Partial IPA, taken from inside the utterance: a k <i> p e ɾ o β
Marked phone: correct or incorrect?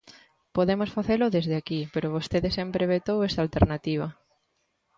correct